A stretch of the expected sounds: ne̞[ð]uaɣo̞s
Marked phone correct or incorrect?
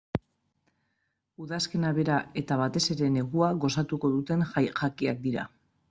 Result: incorrect